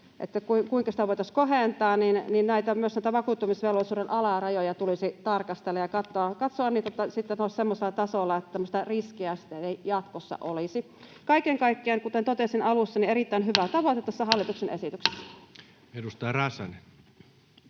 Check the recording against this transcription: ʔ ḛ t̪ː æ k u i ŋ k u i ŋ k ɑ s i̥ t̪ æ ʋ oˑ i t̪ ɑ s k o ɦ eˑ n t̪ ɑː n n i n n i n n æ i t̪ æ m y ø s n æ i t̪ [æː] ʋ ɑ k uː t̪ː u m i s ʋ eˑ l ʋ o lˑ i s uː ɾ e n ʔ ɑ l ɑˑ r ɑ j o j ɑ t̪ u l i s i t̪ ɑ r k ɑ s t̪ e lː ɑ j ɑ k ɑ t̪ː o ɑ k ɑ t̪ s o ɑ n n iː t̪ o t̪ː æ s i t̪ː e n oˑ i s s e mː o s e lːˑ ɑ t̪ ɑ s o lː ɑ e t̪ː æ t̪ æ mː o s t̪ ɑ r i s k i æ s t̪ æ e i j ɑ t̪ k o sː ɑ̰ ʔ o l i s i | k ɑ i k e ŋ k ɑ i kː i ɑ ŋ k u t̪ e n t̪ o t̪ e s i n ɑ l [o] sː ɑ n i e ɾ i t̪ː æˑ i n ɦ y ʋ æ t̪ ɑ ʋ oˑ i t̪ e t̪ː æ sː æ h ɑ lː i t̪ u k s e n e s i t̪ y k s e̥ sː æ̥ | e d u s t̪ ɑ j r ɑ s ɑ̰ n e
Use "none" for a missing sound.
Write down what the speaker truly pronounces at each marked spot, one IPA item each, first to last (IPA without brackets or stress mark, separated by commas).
æ, u